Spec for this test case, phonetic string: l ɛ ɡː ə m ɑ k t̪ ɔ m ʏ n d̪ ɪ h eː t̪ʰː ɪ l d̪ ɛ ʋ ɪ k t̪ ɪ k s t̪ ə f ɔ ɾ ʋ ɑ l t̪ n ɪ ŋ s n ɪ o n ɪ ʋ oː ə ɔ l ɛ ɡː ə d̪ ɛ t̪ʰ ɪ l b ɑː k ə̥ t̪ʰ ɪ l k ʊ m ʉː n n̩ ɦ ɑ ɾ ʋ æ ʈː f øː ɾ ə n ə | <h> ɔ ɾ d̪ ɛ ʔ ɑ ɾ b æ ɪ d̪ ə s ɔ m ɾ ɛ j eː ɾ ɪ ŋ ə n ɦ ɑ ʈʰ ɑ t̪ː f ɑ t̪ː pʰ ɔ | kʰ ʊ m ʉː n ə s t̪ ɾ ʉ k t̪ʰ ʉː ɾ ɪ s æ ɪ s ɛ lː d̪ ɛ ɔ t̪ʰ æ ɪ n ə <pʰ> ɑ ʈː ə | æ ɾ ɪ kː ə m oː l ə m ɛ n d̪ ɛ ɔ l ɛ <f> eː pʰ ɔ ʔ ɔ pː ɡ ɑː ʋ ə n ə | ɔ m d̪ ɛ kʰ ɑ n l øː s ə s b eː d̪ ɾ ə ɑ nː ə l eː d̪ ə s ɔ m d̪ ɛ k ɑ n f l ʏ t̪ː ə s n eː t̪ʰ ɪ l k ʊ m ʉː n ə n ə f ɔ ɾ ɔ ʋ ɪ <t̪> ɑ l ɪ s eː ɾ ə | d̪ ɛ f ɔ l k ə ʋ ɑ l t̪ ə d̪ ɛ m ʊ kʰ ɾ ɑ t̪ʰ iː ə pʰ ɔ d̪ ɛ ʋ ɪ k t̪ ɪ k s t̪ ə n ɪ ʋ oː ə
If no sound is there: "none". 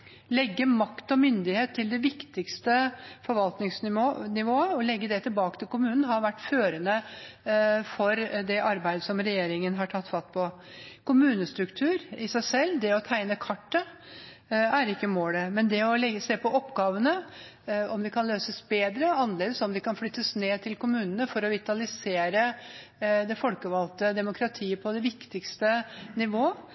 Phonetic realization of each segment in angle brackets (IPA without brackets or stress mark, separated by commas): f, kʰ, s, t̪